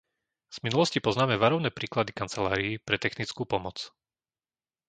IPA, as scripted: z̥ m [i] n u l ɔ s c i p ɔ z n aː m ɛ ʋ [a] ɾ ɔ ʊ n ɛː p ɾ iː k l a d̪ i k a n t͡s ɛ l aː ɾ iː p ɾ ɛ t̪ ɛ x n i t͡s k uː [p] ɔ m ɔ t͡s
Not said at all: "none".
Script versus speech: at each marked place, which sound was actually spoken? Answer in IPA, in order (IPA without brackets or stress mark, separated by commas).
i, a, p